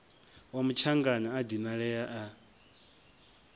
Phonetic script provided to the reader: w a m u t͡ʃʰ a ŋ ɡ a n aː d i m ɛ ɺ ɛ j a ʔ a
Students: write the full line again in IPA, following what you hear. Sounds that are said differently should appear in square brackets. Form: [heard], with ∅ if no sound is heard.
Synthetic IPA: w a m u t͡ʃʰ a ŋ ɡ a n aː d i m [a] ɺ ɛ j a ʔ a